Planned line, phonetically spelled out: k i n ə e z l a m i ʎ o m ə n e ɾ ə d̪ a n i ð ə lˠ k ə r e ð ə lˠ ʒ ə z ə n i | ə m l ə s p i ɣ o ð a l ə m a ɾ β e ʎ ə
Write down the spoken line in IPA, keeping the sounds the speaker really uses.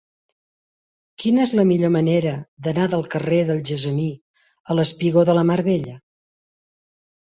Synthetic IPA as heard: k i n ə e z l ə m i ʎ o m ə n e ɾ ə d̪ ə n a ð ə lˠ k ə r e ð ə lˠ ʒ ə z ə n i | ə l ə s p i ɣ o ð ə l ə m a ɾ β e ʎ ə